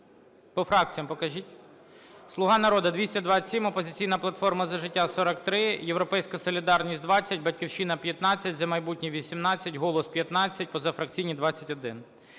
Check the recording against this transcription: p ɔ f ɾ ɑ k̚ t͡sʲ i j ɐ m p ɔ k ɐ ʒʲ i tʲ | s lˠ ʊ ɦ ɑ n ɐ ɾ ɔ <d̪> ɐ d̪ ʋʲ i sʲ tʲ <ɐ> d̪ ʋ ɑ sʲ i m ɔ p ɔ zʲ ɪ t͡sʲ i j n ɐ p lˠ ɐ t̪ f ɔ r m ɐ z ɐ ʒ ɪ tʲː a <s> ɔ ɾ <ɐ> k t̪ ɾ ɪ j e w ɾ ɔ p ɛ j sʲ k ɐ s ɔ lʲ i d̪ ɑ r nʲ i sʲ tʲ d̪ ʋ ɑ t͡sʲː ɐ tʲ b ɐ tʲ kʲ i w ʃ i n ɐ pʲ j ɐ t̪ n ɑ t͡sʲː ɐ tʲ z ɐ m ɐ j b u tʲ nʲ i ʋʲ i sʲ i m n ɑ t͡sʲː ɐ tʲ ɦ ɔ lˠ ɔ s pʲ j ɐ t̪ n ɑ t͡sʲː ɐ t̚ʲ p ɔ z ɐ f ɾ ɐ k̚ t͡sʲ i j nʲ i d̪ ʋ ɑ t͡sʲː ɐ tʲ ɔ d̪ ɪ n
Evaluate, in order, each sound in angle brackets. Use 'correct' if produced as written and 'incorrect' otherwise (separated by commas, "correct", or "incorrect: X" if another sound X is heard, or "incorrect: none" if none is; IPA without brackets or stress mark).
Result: correct, correct, correct, correct